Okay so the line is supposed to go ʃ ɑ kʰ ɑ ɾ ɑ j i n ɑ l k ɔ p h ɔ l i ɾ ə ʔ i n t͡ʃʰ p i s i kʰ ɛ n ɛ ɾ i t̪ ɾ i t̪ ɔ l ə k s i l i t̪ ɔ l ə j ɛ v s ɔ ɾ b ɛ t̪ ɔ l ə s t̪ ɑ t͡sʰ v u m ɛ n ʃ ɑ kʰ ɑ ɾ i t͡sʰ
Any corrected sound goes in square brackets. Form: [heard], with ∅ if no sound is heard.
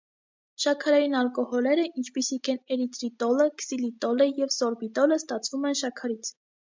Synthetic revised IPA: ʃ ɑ kʰ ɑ ɾ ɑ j i n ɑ l k ɔ [∅] h ɔ l [ɛ] ɾ ə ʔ i n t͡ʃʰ p i s i kʰ ɛ n ɛ ɾ i t̪ ɾ i t̪ ɔ l ə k s i l i t̪ ɔ l ə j ɛ v s ɔ ɾ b [i] t̪ ɔ l ə s t̪ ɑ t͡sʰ v u m ɛ n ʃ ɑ kʰ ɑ ɾ i t͡sʰ

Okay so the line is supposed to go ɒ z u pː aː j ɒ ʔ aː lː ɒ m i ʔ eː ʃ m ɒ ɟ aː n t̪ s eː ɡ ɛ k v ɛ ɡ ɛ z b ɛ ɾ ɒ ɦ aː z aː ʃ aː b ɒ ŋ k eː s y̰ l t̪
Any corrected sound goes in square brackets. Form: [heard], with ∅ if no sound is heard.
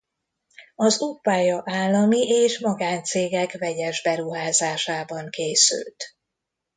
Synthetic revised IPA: ɒ z u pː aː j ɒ ʔ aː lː ɒ m i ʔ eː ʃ m ɒ [ɡ] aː n t̪ s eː ɡ ɛ k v ɛ [ɟ] ɛ [ʒ] b ɛ ɾ [u] ɦ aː z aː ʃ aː b ɒ ŋ k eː s y̰ l t̪

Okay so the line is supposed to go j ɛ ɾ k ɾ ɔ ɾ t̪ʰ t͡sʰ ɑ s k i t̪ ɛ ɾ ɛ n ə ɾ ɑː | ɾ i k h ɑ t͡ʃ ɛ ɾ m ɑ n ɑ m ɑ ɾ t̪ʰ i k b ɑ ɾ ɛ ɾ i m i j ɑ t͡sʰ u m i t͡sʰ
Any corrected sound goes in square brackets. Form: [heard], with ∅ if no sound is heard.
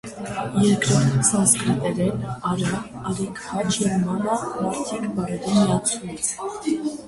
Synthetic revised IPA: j ɛ ɾ k ɾ ɔ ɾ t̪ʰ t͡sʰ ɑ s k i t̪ ɛ ɾ ɛ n [ɑ] ɾ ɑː | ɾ i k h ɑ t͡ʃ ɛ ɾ m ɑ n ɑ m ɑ ɾ t̪ʰ i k b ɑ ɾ ɛ ɾ i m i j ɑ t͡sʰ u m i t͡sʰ

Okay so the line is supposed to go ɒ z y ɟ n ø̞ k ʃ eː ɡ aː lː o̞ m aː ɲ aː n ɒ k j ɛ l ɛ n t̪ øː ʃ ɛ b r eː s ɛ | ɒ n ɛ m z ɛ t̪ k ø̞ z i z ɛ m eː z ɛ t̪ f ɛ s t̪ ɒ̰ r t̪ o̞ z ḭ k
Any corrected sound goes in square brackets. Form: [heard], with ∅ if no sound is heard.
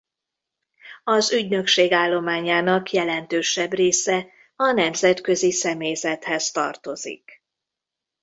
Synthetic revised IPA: ɒ z y ɟ n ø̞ k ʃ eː ɡ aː lː o̞ m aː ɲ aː n ɒ k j ɛ l ɛ n t̪ øː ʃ ɛ b r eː s ɛ | ɒ n ɛ m z ɛ t̪ k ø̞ z i [s] ɛ m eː z ɛ t̪ [h] ɛ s t̪ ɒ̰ r t̪ o̞ z ḭ k

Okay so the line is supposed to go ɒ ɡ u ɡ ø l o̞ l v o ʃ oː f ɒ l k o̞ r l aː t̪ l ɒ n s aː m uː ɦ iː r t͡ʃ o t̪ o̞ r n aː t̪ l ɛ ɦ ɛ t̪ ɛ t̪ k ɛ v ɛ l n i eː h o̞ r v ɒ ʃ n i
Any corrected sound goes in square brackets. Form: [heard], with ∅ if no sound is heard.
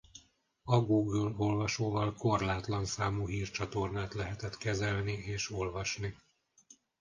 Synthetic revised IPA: ɒ ɡ u ɡ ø l o̞ l v [ɒ] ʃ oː [v] ɒ l k o̞ r l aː t̪ l ɒ n s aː m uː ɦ iː r t͡ʃ [ɒ] t̪ o̞ r n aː t̪ l ɛ ɦ ɛ t̪ ɛ t̪ k ɛ [z] ɛ l n i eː [ʃ] o̞ [l] v ɒ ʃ n i

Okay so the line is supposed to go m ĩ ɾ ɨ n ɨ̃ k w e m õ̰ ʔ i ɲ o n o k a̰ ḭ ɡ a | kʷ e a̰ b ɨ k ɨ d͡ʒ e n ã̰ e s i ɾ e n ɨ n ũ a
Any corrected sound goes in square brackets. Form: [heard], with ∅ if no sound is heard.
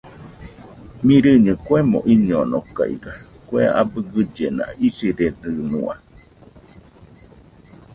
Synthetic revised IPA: m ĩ ɾ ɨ [ɲ] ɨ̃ k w e m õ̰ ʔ i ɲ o n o k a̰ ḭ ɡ a | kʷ e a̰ b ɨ [ɡ] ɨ d͡ʒ e n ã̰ [i] s i ɾ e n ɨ n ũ a

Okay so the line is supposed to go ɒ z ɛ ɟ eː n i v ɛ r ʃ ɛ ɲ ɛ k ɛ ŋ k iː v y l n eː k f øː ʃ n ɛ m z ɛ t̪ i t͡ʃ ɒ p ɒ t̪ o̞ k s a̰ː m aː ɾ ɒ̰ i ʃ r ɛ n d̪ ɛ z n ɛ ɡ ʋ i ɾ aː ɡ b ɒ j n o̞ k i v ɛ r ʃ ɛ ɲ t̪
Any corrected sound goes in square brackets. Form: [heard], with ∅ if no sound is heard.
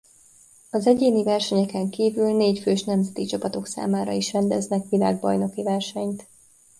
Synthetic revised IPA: ɒ z ɛ ɟ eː n i v ɛ r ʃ ɛ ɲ ɛ k ɛ ŋ k iː v y l n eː [c] f øː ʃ n ɛ m z ɛ t̪ i t͡ʃ ɒ p ɒ t̪ o̞ k s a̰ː m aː ɾ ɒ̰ i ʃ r ɛ n d̪ ɛ z n ɛ [k] ʋ i [l] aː ɡ b ɒ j n o̞ k i v ɛ r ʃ ɛ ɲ t̪

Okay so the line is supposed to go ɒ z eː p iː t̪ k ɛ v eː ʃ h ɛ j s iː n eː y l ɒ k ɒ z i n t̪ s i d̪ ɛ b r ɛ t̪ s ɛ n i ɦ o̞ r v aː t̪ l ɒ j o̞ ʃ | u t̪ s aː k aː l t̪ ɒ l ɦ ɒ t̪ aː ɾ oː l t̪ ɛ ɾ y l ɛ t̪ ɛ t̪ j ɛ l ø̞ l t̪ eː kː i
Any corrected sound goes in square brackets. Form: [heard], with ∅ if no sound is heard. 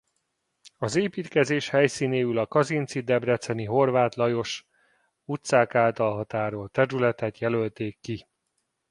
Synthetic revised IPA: ɒ z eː p iː t̪ k ɛ [z] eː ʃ h ɛ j s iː n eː y l ɒ k ɒ z i n t̪ s i d̪ ɛ b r ɛ t̪ s ɛ n i ɦ o̞ r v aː t̪ l ɒ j o̞ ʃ | u t̪ s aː k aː l t̪ ɒ l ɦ ɒ t̪ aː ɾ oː l t̪ ɛ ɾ y l ɛ t̪ ɛ t̪ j ɛ l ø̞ l t̪ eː kː i

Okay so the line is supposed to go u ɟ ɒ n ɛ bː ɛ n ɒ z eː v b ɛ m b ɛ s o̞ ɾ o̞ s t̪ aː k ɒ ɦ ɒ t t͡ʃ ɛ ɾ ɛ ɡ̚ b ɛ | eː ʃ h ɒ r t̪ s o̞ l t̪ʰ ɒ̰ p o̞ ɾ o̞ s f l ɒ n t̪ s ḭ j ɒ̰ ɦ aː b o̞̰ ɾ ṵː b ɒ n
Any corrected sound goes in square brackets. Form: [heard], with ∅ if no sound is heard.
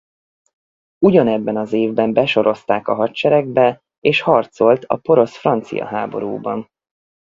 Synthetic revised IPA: u ɟ ɒ n ɛ bː ɛ n ɒ z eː v b ɛ m b ɛ [ʃ] o̞ ɾ o̞ s t̪ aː k ɒ ɦ ɒ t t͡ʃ ɛ ɾ ɛ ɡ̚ b ɛ | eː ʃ h ɒ r t̪ s o̞ l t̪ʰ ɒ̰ p o̞ ɾ o̞ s f [r] ɒ n t̪ s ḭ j ɒ̰ ɦ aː b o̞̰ ɾ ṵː b ɒ n

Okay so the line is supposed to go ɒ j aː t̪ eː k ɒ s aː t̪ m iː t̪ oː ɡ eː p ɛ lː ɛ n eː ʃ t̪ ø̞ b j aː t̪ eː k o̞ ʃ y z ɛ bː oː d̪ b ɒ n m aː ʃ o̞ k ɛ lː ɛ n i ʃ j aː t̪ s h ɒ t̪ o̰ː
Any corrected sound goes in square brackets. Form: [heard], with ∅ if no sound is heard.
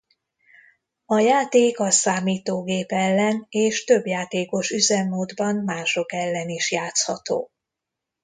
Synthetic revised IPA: ɒ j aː t̪ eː k ɒ s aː [∅] m iː t̪ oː ɡ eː p ɛ lː ɛ n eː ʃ t̪ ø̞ b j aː t̪ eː k o̞ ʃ y z ɛ [mː] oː d̪ b ɒ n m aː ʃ o̞ k ɛ lː ɛ n i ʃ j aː t̪ s h ɒ t̪ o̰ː

